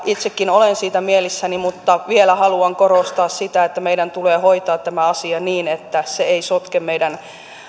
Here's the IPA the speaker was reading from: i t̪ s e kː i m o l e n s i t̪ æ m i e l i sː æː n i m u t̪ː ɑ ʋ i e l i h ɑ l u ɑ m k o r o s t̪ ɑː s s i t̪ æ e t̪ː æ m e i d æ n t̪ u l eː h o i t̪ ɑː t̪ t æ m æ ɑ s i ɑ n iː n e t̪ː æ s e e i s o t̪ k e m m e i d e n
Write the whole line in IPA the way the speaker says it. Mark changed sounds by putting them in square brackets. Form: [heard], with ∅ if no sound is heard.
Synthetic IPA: i t̪ s e kː i [n] o l e n s [iː] t̪ æ m i e l i sː [æ] n i m u t̪ː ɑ ʋ i e l [æ] h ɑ l u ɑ [ŋ] k o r o s t̪ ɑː s s i t̪ æ e t̪ː æ m e i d æ n t̪ u l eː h o i t̪ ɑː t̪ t æ m æ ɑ s i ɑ n iː n e t̪ː æ s e e i s o t̪ k e m m e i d [æ] n